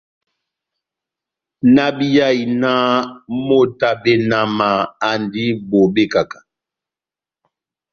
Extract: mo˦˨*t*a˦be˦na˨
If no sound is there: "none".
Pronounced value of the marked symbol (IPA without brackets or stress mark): t